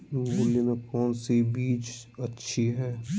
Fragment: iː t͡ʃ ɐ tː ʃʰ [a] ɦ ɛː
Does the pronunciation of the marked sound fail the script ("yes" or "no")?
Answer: yes